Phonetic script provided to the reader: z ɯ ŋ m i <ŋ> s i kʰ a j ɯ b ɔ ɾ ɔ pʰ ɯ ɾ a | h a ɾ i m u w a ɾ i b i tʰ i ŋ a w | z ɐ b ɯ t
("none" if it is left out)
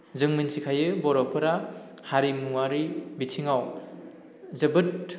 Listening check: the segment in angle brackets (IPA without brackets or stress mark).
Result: n